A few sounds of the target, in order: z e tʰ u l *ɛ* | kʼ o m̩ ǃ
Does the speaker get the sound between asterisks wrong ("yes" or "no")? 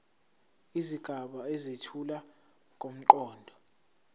yes